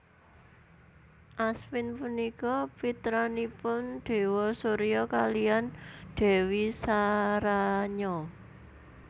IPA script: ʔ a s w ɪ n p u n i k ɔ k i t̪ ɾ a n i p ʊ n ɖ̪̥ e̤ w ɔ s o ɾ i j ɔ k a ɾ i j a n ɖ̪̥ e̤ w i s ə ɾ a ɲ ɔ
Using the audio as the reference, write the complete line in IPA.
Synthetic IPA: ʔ a s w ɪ n p u n i k ɔ p i t̪ ɾ a n i p ʊ n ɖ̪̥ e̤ w ɔ s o ɾ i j ɔ k a l i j a n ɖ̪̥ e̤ w i s a ɾ a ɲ ɔ